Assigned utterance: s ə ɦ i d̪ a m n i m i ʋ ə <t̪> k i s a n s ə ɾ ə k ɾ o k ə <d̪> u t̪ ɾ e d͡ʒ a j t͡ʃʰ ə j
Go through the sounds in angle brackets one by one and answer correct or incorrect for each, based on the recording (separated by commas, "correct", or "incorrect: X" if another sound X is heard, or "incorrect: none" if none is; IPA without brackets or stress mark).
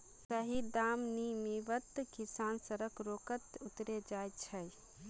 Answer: correct, incorrect: t̪